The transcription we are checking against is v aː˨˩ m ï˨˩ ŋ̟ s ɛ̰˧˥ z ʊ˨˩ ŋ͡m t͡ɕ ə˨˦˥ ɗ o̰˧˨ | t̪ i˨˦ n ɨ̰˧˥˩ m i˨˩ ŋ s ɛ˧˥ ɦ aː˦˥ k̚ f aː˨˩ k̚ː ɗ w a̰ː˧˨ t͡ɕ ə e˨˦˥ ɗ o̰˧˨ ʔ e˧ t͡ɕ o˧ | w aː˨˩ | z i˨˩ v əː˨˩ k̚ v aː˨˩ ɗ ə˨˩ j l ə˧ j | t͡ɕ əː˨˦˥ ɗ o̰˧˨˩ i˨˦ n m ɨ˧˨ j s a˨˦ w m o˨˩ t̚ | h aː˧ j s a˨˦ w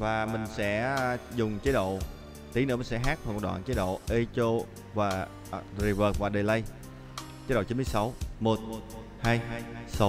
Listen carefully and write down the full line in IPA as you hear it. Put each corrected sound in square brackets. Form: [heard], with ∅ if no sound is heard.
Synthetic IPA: v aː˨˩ m ï˨˩ ŋ̟ s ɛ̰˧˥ z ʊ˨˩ ŋ͡m t͡ɕ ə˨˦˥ ɗ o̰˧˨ | t̪ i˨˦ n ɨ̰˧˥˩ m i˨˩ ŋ s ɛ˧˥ ɦ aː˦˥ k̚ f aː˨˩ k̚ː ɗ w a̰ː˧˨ t͡ɕ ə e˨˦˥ ɗ o̰˧˨ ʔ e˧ t͡ɕ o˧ | [v] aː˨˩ | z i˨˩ v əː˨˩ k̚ v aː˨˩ ɗ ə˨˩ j l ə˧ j | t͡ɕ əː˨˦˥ ɗ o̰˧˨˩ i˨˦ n m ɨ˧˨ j s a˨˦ w m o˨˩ t̚ | h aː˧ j s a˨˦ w